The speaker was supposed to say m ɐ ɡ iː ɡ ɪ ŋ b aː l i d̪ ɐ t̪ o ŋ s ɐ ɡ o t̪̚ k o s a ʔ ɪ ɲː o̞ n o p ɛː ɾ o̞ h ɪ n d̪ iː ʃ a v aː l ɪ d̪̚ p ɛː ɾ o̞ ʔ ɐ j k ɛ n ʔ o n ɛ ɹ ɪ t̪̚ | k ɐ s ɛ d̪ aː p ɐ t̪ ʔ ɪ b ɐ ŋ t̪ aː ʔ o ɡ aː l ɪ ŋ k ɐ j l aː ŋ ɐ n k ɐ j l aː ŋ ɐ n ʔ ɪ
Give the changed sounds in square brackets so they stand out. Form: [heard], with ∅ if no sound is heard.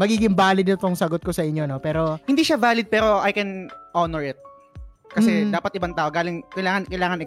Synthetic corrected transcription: m ɐ ɡ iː ɡ ɪ ŋ b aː l [ɪ] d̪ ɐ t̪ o ŋ s ɐ ɡ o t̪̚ k o s [ɐ] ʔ ɪ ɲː o̞ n o p ɛː ɾ o̞ h ɪ n d̪ iː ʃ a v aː l ɪ d̪̚ p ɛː ɾ o̞ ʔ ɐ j k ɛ n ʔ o n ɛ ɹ ɪ t̪̚ | k ɐ s ɛ d̪ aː p ɐ t̪ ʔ ɪ b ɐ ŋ t̪ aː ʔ o ɡ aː l ɪ ŋ k ɐ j l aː ŋ ɐ n k ɐ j l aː ŋ ɐ n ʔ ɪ